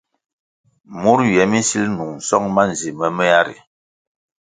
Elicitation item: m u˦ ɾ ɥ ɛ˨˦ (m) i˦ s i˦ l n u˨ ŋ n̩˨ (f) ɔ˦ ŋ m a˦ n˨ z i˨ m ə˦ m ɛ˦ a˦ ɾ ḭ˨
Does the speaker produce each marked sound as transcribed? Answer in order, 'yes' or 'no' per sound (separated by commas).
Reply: yes, no